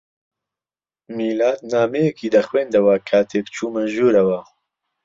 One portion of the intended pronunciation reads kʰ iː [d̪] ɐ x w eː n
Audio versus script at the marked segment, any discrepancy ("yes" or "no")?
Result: no